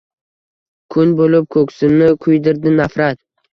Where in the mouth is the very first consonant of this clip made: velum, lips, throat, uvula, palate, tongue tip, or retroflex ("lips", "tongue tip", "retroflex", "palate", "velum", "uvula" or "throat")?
velum